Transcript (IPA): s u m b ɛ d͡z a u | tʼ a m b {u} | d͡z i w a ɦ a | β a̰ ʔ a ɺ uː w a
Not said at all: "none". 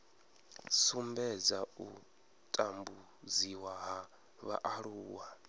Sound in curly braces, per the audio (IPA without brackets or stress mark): u